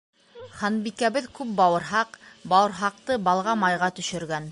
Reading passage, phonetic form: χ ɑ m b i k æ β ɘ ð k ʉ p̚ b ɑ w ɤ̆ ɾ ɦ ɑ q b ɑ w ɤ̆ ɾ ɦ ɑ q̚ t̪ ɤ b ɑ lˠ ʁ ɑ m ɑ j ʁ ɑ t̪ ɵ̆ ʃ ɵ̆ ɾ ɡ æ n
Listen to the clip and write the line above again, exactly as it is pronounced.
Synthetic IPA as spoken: χ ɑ n b i k æ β ɘ ð k ʉ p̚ b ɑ w ɤ̆ ɾ ɦ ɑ q b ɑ w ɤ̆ ɾ ɦ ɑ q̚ t̪ ɤ b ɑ lˠ ʁ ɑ m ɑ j ʁ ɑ t̪ ɵ̆ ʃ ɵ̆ ɾ ɡ æ n